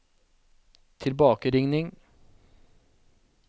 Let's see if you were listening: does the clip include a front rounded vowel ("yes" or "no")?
no